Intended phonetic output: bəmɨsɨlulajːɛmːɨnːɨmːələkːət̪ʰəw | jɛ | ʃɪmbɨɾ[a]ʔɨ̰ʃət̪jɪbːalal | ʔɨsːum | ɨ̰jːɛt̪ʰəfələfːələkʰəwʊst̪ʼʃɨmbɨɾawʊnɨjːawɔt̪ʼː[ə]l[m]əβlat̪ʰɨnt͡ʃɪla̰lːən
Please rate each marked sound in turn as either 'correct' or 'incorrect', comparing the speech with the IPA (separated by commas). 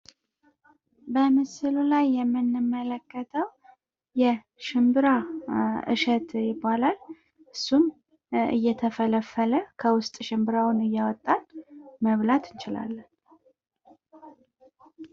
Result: correct, incorrect, correct